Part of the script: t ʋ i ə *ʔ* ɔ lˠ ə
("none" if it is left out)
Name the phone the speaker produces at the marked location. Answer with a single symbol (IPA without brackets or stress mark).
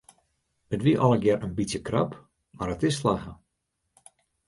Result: ʔ